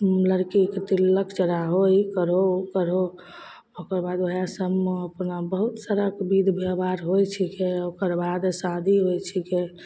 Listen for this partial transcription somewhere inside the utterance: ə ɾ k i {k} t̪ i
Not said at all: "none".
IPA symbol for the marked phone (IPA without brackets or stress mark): k